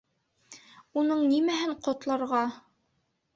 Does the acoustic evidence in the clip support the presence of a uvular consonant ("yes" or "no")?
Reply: yes